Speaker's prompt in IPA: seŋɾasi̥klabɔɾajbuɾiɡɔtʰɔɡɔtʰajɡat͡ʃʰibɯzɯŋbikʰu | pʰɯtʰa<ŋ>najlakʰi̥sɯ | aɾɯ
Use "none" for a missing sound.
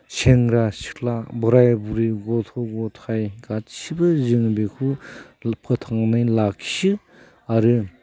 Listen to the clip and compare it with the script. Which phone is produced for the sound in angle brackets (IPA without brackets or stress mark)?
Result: ŋ